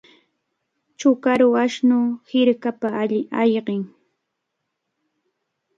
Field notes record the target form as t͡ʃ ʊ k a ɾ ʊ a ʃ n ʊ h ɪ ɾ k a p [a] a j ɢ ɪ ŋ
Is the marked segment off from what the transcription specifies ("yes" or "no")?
no